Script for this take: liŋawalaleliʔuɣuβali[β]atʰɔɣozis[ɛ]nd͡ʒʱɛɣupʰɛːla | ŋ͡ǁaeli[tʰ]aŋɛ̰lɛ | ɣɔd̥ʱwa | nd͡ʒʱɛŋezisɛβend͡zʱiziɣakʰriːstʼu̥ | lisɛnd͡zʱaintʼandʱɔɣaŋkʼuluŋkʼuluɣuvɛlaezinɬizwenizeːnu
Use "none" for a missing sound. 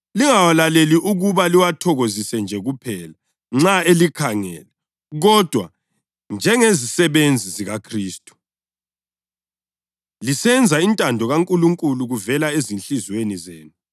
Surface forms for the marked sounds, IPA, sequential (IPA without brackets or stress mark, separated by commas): w, ɛ, kʰ